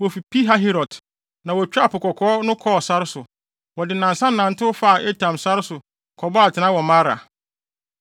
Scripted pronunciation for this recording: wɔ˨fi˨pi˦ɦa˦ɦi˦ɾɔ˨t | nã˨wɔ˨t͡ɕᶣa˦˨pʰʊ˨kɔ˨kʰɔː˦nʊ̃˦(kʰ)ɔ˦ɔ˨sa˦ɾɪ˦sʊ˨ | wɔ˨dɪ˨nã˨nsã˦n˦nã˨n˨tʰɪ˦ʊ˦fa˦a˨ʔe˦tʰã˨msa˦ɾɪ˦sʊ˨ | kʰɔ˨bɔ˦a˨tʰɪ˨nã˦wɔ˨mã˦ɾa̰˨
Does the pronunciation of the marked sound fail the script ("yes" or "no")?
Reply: no